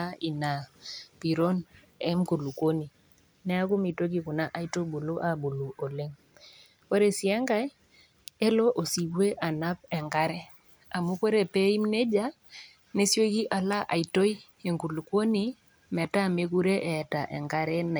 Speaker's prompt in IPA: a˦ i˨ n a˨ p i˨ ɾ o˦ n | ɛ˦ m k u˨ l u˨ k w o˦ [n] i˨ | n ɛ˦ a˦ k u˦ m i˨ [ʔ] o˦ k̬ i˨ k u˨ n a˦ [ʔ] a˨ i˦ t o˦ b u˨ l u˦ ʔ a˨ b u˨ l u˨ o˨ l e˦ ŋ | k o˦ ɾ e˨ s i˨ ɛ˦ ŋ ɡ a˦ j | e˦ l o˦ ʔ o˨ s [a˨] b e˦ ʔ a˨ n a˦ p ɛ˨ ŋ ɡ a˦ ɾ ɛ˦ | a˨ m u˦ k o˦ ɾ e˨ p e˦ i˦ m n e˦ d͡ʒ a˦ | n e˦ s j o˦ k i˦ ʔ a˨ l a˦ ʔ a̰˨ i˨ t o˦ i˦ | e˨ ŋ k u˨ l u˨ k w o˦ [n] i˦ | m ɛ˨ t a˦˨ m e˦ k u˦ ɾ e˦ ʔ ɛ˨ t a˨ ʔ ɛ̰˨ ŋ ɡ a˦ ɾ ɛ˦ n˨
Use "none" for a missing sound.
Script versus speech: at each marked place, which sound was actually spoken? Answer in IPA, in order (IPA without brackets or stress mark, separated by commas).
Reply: n, t, ʔ, i˨, n